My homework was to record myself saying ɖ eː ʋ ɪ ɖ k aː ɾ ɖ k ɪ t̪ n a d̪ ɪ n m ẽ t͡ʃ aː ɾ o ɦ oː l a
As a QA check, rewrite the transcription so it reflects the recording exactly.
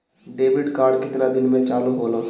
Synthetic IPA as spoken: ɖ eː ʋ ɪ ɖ k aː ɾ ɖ k ɪ t̪ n a d̪ ɪ n m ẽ t͡ʃ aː l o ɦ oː l a